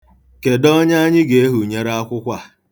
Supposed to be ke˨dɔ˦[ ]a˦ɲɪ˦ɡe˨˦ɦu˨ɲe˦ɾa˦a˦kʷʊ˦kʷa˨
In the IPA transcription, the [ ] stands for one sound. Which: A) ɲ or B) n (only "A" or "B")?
A